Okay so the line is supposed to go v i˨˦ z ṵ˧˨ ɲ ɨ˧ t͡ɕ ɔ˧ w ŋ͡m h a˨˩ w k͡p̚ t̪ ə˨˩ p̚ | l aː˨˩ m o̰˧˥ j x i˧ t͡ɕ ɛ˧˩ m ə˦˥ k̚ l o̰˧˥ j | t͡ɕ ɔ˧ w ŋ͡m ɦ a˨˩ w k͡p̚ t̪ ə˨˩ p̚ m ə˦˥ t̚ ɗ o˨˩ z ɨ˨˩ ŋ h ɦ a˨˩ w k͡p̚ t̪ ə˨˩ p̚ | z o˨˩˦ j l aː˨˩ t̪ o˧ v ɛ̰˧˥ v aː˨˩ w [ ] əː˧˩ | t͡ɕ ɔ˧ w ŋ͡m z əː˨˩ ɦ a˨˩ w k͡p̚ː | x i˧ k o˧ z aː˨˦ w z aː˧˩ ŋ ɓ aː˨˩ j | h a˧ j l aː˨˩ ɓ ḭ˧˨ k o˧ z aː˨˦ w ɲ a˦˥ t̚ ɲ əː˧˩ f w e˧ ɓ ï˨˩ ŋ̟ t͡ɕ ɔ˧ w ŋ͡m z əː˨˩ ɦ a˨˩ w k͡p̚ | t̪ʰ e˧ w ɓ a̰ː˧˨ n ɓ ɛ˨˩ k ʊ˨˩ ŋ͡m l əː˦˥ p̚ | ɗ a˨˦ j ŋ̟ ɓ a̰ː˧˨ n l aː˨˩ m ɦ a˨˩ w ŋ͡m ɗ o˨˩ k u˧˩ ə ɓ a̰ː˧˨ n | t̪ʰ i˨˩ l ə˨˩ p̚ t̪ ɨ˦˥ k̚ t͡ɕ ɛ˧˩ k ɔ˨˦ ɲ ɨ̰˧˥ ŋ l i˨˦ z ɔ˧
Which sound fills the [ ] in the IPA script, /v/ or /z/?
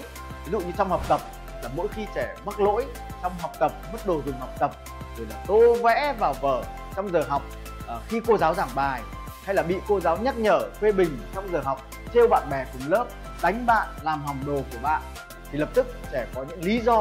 v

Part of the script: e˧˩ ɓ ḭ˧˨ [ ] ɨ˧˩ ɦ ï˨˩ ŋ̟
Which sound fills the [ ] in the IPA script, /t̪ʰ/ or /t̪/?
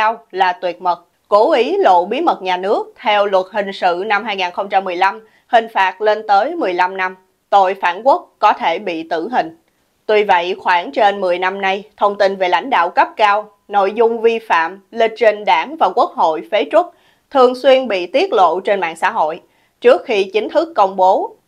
t̪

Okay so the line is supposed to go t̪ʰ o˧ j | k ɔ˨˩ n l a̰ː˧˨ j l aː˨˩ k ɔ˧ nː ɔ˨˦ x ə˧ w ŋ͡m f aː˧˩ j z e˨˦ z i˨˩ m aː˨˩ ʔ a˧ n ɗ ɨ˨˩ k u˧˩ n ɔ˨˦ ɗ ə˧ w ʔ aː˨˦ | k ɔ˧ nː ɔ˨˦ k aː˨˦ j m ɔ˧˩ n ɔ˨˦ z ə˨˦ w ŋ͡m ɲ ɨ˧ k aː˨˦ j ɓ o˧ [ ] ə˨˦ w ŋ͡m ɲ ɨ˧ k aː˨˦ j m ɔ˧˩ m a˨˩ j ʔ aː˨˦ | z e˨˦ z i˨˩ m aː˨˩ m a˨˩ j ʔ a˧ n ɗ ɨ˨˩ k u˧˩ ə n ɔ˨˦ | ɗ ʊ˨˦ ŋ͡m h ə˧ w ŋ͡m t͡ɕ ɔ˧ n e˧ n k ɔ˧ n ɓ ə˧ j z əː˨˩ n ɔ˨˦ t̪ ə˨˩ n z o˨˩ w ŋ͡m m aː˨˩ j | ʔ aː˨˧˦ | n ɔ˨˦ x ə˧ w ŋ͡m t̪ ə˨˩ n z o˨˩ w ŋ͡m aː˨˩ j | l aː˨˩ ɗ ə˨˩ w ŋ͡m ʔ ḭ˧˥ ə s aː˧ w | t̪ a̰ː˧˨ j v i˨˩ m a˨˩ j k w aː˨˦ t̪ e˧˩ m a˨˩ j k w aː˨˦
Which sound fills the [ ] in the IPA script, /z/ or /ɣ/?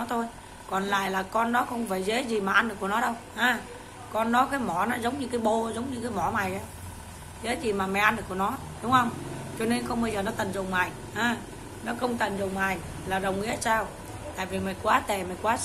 z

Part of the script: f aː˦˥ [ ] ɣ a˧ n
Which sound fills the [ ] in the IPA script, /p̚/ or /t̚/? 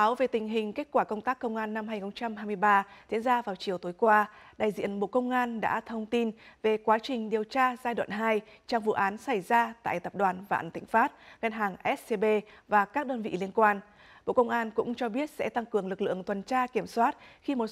t̚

